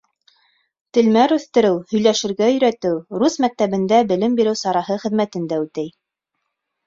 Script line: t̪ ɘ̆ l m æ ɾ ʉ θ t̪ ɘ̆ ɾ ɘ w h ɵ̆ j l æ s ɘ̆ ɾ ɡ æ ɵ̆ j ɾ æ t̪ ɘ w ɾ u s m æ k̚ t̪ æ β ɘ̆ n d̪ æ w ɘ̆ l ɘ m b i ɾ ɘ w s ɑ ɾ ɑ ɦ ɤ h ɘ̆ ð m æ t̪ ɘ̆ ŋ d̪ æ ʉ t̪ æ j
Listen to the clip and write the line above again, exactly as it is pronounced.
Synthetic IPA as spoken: t̪ ɘ̆ l m æ ɾ ʉ θ t̪ ɘ̆ ɾ ɘ w h ɵ̆ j l æ ʃ ɘ̆ ɾ ɡ æ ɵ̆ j ɾ æ t̪ ɘ w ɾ u s m æ k̚ t̪ æ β ɘ̆ n d̪ æ b ɘ̆ l ɘ m b i ɾ ɘ w s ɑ ɾ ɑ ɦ ɤ χ ɘ̆ ð m æ t̪ ɘ̆ n d̪ æ ʉ t̪ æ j